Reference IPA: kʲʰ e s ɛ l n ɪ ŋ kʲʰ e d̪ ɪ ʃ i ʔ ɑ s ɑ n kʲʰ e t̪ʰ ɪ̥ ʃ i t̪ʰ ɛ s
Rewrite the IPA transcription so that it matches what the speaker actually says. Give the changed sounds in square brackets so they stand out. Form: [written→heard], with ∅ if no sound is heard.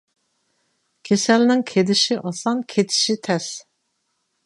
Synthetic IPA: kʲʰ e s ɛ l n ɪ ŋ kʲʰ e d̪ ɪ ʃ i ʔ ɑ s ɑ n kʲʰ e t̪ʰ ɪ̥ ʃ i t̪ʰ ɛ s